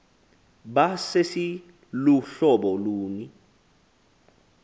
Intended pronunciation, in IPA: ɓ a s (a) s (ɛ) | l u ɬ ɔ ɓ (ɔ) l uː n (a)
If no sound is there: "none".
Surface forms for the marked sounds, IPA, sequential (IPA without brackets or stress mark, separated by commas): e, i, ɔ, i